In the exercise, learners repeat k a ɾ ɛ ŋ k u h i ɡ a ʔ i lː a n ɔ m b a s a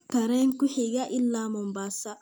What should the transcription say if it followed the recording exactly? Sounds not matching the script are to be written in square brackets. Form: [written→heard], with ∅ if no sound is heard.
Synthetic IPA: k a ɾ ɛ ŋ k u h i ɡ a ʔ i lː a [n→m] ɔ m b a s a